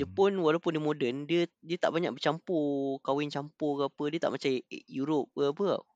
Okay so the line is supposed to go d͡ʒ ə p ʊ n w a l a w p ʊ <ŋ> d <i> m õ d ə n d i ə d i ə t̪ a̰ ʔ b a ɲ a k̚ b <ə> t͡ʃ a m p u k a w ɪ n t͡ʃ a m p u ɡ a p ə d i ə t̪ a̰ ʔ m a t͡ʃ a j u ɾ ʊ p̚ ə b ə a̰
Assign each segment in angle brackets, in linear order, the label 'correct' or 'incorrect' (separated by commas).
incorrect, correct, correct